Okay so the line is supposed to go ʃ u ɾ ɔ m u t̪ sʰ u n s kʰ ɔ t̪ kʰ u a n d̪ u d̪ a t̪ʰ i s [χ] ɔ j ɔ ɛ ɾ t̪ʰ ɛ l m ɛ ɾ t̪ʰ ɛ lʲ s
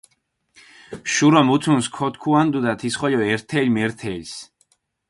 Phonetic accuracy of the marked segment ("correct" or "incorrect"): correct